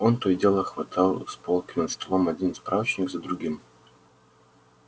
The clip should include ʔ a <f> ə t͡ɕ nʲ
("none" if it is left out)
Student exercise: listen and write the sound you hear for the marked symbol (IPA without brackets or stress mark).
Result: v